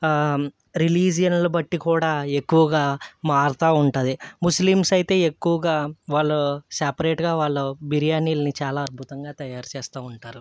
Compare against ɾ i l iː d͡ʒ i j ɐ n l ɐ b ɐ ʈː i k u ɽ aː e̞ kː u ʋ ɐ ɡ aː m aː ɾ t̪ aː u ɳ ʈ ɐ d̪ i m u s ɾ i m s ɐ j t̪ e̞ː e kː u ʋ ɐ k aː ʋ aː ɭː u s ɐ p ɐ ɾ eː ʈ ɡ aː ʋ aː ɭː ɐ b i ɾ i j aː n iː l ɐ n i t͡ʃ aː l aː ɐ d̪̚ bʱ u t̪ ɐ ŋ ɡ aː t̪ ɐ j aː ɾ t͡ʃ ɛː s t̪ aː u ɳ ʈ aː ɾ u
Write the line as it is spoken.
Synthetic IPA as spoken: ɾ i l iː d͡ʒ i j ɐ n l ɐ b ɐ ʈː i k uː ɽ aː e̞ kː u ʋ ɐ ɡ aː m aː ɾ t̪ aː u ɳ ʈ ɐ d̪ i m u s l i m s ɐ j t̪ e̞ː e kː u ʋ ɐ ɡ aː ʋ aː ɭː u s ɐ p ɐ ɾ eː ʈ ɡ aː ʋ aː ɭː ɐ b i ɾ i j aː n iː l ɐ n i t͡ʃ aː l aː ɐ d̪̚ bʱ u t̪ ɐ ŋ ɡ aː t̪ ɐ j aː ɾ t͡ʃ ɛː s t̪ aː u ɳ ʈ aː ɾ u

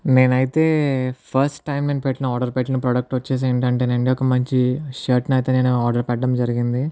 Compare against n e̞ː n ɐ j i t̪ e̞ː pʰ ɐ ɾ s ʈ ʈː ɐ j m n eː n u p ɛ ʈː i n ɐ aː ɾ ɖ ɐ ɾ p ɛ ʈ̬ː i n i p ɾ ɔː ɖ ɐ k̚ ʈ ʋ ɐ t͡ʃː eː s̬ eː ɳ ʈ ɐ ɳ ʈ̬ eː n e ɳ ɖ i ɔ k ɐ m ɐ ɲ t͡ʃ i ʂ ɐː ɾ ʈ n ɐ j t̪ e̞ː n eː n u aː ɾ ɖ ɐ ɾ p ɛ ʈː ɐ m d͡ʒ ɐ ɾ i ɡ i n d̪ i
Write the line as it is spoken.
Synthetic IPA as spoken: n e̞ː n ɐ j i t̪ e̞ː pʰ ɐ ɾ s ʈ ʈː ɐ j m n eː n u p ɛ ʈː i n ɐ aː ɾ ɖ ɐ ɾ p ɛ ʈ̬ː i n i p ɾ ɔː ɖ ɐ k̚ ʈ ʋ ɐ t͡ʃː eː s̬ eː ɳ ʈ ɐ ɳ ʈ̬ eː n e ɳ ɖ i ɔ k ɐ m ɐ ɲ t͡ʃ i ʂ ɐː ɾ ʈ n ɐ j t̪ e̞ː n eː n u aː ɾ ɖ ɐ ɾ p ɛ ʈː ɐ m d͡ʒ ɐ ɾ i ɡ i n d̪ i

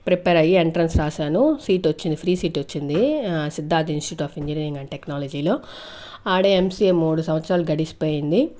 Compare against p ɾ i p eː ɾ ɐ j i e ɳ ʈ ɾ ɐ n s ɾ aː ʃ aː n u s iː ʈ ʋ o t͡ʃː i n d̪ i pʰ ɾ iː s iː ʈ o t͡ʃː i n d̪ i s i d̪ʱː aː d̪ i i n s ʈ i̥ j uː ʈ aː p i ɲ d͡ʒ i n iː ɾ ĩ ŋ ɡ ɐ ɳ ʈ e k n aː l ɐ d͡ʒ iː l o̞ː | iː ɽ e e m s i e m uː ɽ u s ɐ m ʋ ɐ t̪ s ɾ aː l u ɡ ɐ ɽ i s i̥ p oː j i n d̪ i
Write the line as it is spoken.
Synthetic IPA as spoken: p ɾ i p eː ɾ ɐ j i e ɳ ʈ ɾ ɐ n s ɾ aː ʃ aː n u s iː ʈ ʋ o t͡ʃː i n d̪ i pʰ ɾ iː s iː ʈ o t͡ʃː i n d̪ i s i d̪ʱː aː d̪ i i n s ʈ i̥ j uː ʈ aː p i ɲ d͡ʒ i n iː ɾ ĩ ŋ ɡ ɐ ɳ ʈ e k n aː l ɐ d͡ʒ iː l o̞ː | aː ɽ e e m s i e m uː ɽ u s ɐ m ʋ ɐ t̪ s ɾ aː l u ɡ ɐ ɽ i s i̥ p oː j i n d̪ i

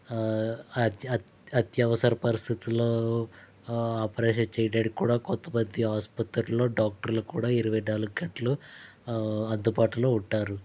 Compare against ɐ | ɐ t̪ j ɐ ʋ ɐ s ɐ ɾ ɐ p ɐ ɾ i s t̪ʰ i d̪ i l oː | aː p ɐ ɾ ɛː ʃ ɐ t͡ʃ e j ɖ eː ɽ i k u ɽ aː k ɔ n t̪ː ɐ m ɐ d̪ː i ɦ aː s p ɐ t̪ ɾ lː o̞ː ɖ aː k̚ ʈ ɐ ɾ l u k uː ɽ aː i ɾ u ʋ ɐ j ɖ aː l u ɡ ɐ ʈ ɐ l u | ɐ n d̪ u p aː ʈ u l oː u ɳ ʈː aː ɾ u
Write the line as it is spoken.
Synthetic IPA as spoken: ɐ | ɐ t̪ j ɐ ʋ ɐ s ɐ ɾ ɐ p ɐ ɾ i s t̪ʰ i t̪ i l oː | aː p ɐ ɾ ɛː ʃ ɐ t͡ʃ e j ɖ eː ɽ i k uː ɽ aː k ɔ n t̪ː ɐ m ɐ d̪ː i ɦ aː s p ɐ t̪ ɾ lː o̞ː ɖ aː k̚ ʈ ɐ ɾ l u k uː ɽ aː i ɾ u ʋ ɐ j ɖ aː l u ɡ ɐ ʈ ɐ l u | ɐ n d̪ u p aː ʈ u l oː u ɳ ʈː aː ɾ u

